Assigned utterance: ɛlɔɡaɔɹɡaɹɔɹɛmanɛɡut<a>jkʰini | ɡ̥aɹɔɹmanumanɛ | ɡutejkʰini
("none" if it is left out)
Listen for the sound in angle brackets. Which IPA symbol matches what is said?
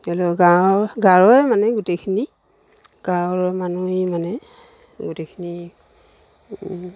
e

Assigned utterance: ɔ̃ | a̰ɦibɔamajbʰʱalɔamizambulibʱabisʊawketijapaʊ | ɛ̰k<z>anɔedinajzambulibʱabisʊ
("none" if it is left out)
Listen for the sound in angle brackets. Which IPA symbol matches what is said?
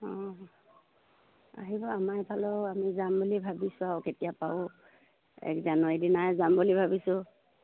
z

